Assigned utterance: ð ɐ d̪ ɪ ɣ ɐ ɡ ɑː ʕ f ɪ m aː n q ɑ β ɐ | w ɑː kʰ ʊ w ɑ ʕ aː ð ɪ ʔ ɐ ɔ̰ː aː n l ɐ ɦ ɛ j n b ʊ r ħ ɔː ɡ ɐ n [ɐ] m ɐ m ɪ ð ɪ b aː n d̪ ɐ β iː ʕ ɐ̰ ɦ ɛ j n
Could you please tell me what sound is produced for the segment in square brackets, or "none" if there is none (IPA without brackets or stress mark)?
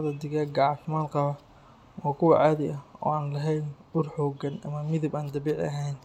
ɐ